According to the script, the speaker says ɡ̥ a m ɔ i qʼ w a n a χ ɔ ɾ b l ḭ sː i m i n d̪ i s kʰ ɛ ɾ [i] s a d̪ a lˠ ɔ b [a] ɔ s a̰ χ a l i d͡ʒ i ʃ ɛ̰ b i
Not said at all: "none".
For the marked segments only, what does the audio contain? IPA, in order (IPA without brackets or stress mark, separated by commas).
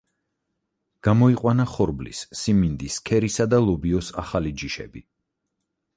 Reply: i, i